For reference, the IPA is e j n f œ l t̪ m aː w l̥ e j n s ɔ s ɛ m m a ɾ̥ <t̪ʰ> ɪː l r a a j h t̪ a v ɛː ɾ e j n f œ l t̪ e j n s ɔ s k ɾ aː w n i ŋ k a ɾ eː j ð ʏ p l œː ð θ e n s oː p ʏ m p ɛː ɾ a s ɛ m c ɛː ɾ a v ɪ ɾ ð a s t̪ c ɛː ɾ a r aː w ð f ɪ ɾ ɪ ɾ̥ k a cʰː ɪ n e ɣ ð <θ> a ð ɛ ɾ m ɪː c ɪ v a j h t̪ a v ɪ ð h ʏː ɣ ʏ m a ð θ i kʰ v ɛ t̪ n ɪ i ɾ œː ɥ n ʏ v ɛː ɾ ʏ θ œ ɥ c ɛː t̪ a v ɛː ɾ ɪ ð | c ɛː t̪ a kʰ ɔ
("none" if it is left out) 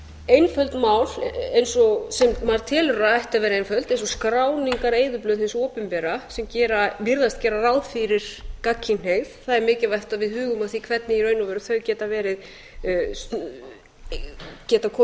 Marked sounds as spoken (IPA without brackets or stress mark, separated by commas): t̪ʰ, θ